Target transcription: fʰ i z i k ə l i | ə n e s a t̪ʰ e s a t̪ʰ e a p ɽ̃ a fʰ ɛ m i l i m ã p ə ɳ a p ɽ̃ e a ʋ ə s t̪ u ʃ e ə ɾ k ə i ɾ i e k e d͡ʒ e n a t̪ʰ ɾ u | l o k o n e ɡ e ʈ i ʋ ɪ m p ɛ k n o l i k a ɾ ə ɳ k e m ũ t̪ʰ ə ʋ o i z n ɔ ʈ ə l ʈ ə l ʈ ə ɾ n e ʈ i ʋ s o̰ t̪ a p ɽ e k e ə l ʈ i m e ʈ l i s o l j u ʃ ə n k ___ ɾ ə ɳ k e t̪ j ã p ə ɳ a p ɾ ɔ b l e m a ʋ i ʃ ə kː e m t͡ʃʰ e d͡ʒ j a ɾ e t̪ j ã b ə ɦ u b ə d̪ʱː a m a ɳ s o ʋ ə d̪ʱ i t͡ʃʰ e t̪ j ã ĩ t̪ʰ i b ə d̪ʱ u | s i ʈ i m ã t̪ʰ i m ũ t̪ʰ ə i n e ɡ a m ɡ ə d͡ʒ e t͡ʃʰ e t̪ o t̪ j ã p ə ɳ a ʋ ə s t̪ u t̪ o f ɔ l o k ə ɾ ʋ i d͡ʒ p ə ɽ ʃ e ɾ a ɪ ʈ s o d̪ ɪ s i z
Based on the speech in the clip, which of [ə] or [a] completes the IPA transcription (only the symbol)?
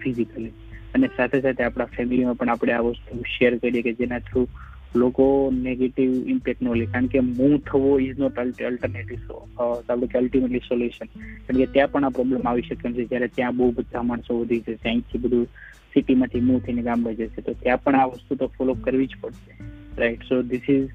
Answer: a